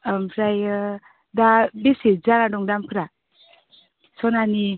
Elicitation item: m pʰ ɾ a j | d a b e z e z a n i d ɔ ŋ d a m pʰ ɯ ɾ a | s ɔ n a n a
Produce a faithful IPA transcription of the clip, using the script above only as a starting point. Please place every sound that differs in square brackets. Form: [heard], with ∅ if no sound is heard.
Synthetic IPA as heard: m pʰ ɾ a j | d a b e [s] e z a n [a] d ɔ ŋ d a m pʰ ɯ ɾ a | s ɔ n a n [i]